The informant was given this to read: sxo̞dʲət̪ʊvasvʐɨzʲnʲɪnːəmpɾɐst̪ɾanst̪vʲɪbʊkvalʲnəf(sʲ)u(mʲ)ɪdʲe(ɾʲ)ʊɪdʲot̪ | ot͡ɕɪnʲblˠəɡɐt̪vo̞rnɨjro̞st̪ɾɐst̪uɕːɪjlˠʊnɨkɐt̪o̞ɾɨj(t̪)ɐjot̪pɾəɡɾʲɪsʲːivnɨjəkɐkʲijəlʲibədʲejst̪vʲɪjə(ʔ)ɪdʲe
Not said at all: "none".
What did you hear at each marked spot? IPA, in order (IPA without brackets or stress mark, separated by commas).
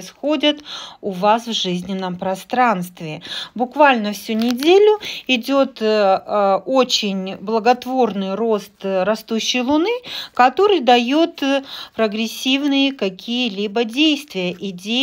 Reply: sʲ, nʲ, lʲ, d̪, ʔ